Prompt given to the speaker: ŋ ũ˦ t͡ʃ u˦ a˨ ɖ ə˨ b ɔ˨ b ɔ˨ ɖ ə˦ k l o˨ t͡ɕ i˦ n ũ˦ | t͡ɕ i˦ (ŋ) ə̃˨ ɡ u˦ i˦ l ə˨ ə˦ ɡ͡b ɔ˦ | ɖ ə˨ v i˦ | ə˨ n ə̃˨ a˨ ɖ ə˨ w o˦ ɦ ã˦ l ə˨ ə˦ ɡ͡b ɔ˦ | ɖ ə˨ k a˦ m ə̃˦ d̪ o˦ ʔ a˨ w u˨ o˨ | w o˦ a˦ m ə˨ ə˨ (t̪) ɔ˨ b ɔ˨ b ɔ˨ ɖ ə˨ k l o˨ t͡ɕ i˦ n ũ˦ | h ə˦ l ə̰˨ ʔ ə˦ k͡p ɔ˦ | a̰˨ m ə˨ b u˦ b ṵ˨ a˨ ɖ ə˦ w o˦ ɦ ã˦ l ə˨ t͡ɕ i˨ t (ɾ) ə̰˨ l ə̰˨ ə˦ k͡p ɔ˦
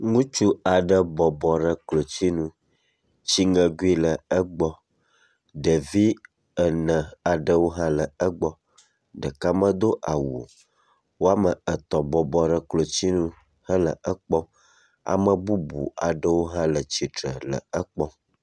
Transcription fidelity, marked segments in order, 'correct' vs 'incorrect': correct, correct, correct

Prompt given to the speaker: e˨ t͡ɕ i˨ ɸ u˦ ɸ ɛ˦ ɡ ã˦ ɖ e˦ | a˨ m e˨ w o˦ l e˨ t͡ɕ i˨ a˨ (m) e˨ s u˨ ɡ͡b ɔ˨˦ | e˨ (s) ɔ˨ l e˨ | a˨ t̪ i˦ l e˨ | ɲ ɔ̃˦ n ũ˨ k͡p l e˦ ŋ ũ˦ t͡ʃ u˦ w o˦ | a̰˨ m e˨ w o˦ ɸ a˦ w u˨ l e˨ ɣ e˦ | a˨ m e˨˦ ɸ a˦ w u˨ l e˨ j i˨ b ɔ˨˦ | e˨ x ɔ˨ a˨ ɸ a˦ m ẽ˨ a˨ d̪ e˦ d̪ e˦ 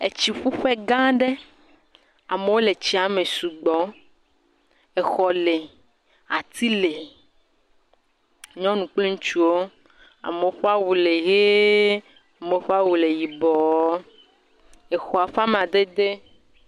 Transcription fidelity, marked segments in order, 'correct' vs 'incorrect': correct, incorrect: x

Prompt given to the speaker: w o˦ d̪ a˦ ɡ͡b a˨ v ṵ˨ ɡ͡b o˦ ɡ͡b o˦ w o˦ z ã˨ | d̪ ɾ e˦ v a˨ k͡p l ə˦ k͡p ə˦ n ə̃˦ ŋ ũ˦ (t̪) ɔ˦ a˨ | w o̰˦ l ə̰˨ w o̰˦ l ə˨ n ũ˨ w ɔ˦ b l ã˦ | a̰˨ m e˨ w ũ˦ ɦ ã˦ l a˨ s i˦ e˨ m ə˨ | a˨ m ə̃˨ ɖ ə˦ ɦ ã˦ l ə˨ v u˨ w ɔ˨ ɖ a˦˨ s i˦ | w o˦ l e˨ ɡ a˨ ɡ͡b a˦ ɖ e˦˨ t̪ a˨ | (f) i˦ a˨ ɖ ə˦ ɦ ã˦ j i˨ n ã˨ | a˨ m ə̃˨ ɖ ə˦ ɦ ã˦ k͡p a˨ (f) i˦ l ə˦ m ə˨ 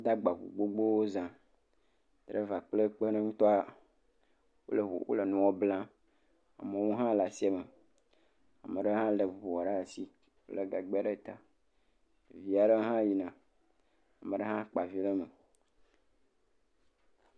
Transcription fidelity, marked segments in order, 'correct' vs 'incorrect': correct, incorrect: v, incorrect: v

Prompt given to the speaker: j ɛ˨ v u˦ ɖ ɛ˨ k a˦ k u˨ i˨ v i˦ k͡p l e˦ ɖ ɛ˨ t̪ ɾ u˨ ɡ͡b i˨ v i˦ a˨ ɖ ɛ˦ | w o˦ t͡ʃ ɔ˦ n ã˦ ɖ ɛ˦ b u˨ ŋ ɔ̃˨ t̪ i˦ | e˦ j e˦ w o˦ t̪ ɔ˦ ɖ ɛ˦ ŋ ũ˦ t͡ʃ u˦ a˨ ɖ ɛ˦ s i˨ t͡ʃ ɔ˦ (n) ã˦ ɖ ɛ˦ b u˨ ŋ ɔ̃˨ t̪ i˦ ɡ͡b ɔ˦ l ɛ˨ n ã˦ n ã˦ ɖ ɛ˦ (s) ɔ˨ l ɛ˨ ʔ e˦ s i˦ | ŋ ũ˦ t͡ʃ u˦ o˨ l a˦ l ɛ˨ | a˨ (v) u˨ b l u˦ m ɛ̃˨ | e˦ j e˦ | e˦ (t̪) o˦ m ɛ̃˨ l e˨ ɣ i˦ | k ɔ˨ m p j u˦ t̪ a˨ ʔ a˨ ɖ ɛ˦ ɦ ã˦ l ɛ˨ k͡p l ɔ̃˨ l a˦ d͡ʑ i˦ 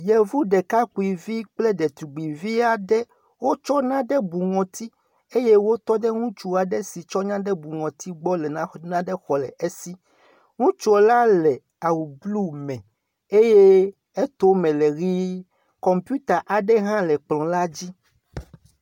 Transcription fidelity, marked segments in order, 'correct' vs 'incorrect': incorrect: ɲ, incorrect: x, incorrect: w, correct

